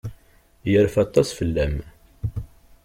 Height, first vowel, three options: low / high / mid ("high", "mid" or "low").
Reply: mid